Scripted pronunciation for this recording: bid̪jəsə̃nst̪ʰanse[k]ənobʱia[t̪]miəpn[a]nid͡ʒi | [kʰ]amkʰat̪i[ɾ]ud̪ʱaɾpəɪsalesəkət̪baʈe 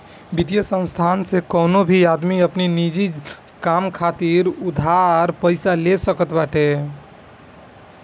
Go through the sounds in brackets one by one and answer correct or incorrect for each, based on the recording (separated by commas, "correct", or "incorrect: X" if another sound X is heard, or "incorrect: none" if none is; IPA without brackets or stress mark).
correct, incorrect: d̪, incorrect: i, incorrect: k, correct